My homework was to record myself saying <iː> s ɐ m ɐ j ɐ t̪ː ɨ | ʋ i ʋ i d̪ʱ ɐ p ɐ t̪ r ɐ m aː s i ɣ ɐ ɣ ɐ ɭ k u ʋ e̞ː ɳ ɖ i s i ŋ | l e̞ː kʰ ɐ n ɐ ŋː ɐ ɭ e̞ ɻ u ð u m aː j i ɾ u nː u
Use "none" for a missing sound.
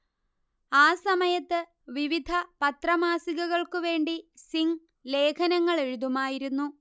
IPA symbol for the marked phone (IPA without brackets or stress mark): aː